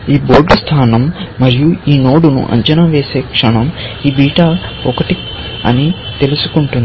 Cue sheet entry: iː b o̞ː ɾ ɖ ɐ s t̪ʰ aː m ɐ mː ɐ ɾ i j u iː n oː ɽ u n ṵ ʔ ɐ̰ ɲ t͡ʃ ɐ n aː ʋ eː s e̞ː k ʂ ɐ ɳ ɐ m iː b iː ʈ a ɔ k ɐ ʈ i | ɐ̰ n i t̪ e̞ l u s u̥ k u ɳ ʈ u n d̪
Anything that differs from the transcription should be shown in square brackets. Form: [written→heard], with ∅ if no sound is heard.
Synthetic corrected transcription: iː b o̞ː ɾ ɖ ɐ s t̪ʰ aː [m→n] ɐ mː ɐ ɾ i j u iː n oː ɽ u n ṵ ʔ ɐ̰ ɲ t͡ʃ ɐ n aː ʋ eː s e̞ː k ʂ ɐ ɳ ɐ m iː b iː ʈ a ɔ k ɐ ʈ i | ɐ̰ n i t̪ e̞ l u s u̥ k u ɳ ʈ u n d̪